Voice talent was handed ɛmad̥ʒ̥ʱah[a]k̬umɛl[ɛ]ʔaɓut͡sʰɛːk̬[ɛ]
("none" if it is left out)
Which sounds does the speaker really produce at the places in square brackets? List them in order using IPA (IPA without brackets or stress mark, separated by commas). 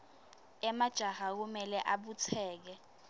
a, ɛ, ɛ